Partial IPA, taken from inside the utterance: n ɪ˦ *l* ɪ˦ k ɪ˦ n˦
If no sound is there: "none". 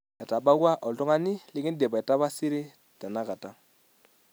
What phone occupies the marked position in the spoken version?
l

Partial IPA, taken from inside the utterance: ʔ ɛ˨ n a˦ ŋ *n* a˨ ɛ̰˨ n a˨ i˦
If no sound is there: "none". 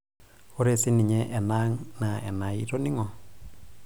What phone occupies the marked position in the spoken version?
n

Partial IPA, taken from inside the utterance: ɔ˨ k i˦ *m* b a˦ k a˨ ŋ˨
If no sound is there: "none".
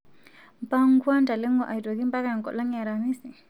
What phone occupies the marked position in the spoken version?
m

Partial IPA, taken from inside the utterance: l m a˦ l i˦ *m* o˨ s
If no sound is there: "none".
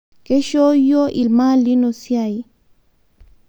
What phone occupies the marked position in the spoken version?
n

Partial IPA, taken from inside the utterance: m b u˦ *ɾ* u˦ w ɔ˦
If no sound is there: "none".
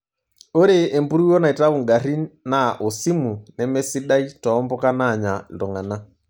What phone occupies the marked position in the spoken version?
ɾ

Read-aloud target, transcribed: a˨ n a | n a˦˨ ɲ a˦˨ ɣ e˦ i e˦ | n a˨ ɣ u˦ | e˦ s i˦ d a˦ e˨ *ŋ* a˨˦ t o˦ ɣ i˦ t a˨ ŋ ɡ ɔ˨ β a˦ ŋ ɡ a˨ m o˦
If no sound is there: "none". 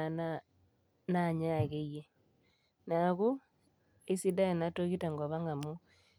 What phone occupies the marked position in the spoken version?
n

